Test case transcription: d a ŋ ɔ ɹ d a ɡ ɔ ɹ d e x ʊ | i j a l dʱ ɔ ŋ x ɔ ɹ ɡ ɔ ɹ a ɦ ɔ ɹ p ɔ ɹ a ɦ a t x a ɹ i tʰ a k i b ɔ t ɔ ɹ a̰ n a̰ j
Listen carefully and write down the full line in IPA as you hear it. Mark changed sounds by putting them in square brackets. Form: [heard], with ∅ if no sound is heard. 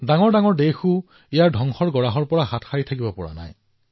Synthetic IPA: d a ŋ ɔ ɹ d a [ŋ] ɔ ɹ d e x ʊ | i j a [ɹ] dʱ ɔ ŋ x ɔ ɹ ɡ ɔ ɹ a ɦ ɔ ɹ p ɔ ɹ a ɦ a t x a ɹ i tʰ a k i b ɔ [p] ɔ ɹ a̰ n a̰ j